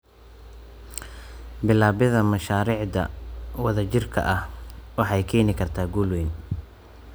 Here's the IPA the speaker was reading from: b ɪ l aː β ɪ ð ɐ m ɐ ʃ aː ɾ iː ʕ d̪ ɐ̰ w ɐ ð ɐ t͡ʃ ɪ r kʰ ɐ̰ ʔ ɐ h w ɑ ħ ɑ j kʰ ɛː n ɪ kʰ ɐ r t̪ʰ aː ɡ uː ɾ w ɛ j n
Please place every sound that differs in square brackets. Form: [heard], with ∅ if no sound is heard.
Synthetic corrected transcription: b ɪ l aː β ɪ ð ɐ m ɐ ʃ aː ɾ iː ʕ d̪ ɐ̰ w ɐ ð ɐ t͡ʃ ɪ r kʰ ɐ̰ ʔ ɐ h w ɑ ħ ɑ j kʰ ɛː n ɪ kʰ ɐ r t̪ʰ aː ɡ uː [l] w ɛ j n